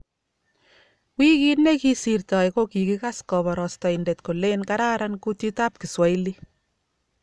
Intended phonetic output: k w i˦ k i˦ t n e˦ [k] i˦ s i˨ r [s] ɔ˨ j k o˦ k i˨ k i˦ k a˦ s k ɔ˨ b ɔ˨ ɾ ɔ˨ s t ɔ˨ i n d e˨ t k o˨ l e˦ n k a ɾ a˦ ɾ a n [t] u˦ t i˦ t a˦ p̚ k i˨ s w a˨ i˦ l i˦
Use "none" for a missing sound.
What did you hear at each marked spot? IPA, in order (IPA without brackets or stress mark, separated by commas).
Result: k, t, k